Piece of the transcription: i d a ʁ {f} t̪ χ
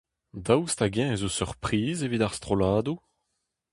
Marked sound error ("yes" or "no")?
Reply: yes